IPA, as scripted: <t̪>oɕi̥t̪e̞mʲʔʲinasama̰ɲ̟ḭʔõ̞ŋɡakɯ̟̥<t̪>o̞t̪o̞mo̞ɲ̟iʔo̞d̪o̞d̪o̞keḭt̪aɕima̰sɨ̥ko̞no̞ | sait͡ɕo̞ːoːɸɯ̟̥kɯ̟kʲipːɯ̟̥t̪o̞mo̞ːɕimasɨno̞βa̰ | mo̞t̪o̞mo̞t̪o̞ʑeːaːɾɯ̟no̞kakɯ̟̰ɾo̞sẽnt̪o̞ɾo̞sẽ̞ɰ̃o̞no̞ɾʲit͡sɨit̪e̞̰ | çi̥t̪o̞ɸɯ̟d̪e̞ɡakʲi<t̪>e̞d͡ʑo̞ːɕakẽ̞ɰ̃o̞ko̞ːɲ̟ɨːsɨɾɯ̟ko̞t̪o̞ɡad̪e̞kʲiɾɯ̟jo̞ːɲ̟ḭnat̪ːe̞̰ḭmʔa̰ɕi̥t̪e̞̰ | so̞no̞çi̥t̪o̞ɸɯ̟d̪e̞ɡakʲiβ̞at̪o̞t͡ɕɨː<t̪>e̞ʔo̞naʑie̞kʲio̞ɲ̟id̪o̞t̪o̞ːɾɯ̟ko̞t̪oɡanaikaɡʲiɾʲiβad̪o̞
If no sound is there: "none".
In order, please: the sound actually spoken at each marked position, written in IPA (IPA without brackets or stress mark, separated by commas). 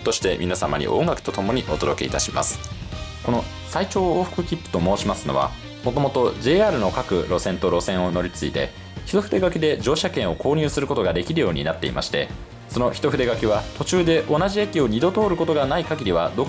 t̪, t̪, d̪, d̪